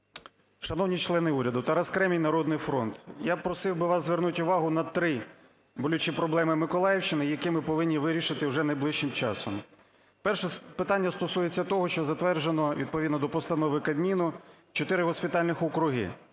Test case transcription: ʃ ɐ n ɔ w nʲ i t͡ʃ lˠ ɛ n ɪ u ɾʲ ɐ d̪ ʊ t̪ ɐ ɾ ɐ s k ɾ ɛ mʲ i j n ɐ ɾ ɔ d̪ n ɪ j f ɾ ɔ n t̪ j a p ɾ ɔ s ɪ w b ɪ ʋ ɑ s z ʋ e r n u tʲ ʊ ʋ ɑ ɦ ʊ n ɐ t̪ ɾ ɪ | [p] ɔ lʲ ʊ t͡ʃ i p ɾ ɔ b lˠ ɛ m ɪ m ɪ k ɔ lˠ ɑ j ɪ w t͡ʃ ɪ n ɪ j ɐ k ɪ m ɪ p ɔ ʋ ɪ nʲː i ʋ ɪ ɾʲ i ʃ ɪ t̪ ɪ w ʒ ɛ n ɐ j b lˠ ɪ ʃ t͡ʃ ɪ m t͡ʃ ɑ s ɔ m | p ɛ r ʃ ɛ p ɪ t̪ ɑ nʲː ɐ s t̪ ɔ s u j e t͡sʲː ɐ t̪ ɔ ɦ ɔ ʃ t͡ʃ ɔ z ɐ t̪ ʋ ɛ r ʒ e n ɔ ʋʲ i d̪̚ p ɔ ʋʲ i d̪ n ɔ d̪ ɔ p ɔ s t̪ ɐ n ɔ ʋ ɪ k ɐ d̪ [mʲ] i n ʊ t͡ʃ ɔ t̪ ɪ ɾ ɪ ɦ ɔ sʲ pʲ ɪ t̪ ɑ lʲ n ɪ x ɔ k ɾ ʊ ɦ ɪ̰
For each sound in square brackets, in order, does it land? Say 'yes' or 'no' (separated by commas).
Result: no, yes